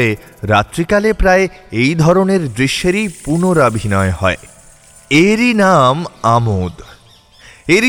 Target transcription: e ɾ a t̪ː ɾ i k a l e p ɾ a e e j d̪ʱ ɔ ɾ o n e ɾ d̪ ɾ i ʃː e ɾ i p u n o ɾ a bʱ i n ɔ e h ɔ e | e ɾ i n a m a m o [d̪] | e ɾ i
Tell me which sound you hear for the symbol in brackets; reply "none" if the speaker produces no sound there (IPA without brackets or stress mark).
d̪